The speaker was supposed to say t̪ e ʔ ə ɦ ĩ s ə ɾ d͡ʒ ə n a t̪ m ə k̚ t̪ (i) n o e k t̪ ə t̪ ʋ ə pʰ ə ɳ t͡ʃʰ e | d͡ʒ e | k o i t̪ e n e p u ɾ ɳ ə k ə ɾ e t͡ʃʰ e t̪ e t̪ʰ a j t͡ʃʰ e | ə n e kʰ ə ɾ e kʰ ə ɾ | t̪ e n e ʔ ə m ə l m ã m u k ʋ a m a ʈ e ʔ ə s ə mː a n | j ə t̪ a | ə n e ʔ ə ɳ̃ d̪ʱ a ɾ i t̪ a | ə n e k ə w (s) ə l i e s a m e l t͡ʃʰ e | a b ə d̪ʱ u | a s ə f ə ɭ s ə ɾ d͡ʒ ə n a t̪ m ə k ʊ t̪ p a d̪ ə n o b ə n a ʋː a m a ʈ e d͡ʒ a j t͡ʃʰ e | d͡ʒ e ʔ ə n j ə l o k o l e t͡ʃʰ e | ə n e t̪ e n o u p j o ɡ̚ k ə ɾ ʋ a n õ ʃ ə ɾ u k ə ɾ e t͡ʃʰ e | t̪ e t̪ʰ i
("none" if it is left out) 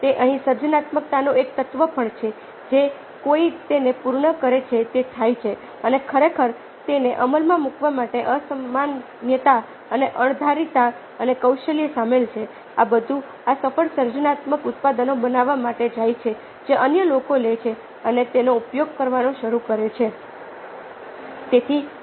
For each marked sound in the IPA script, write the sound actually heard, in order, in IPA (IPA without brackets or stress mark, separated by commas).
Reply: a, ʃ